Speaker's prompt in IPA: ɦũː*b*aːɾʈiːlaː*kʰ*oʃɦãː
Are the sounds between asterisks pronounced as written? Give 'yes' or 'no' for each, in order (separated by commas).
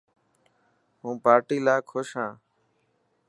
no, yes